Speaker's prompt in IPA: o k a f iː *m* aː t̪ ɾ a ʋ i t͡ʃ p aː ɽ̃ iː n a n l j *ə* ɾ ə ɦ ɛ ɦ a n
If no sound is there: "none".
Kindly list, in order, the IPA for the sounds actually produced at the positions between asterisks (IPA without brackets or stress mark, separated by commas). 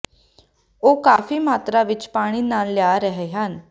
m, a